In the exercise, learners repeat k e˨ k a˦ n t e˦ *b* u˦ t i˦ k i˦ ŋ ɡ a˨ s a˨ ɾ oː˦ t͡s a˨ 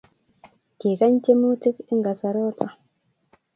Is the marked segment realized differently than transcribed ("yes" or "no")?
yes